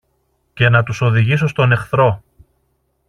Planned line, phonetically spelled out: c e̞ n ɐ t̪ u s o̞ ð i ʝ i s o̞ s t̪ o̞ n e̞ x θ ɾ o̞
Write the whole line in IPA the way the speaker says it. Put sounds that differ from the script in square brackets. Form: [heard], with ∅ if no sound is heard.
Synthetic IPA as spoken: c e̞ n ɐ t̪ u s o̞ ð i ʝ i s o̞ s t̪ o̞ n e̞ x θ ɾ o̞